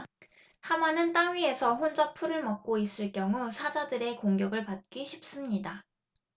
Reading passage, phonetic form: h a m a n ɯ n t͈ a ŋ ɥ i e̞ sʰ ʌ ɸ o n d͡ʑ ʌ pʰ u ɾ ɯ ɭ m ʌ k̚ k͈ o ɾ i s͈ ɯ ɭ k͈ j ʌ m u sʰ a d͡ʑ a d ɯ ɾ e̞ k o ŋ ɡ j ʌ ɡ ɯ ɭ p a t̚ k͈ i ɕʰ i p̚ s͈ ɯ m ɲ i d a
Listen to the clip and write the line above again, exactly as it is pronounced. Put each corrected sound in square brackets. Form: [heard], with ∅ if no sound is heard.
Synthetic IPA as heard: h a m a n ɯ n t͈ a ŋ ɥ i e̞ sʰ ʌ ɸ o n d͡ʑ ʌ pʰ u ɾ ɯ ɭ m ʌ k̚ k͈ o [∅] i s͈ ɯ ɭ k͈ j ʌ [ŋ] u sʰ a d͡ʑ a d ɯ ɾ e̞ k o ŋ ɡ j ʌ ɡ ɯ ɭ p a t̚ k͈ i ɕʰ i p̚ s͈ ɯ m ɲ i d a